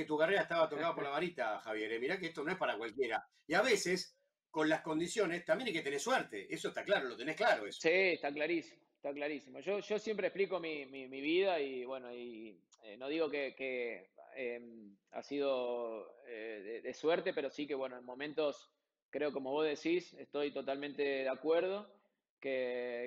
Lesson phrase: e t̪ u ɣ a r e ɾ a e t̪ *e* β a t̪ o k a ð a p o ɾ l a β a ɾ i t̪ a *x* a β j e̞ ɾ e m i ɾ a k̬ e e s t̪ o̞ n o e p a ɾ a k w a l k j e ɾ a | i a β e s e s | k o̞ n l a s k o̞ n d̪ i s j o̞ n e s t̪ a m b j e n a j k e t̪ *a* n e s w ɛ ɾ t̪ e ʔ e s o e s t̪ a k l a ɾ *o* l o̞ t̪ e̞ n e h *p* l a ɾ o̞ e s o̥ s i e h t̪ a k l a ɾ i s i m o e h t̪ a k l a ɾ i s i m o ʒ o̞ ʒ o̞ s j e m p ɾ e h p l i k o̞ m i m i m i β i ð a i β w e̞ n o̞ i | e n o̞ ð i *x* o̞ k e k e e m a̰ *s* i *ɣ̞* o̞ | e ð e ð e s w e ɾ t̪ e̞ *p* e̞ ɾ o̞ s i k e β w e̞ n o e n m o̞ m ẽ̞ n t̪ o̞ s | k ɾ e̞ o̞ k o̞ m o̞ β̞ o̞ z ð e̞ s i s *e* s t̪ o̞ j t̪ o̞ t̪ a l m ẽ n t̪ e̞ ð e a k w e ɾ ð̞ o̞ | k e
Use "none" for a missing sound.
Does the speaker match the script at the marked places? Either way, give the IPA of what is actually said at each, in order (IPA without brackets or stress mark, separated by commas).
a, x, e, o, k, ɣ, s, ð̞, p, e